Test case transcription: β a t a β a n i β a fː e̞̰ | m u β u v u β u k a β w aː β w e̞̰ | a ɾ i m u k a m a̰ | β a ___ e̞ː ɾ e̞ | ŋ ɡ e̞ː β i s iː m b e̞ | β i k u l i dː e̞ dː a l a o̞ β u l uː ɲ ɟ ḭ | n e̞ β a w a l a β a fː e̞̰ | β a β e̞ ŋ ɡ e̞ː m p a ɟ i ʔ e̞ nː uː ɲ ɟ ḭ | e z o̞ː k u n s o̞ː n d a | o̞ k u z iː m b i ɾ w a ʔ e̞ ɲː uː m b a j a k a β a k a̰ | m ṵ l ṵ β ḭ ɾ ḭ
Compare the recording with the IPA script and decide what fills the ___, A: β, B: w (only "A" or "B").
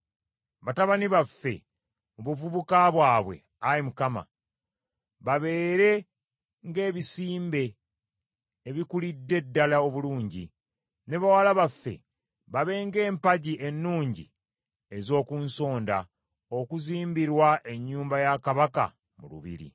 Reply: A